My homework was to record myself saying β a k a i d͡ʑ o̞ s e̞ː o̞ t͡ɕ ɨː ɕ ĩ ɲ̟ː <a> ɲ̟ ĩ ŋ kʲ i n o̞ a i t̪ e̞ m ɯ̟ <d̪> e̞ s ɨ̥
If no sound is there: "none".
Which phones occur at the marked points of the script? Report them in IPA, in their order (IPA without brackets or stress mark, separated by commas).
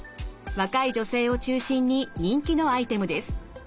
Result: i, d̪